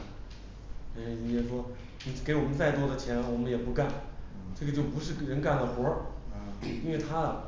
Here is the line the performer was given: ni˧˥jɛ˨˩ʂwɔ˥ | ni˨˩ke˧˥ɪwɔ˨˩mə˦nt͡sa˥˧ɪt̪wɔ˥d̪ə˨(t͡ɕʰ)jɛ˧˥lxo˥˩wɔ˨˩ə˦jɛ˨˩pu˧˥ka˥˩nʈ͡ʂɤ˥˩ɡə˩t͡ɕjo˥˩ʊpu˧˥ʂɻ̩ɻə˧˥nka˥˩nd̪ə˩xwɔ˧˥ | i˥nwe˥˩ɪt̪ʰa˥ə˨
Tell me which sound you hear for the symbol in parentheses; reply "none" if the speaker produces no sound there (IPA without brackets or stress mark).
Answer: t͡ɕʰ